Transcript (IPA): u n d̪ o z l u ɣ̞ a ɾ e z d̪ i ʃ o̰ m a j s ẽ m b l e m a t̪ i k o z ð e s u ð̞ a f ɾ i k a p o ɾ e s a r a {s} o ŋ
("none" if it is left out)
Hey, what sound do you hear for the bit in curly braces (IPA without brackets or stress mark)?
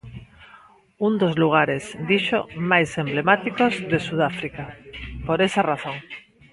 θ